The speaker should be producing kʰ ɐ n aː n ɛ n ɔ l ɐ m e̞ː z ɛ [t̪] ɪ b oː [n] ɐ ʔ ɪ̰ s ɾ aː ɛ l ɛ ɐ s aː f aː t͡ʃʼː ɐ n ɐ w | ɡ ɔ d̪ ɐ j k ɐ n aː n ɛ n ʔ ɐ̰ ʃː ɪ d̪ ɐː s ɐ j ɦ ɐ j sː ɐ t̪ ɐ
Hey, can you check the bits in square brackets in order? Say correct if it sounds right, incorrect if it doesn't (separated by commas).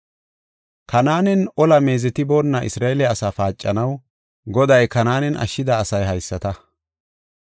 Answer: correct, incorrect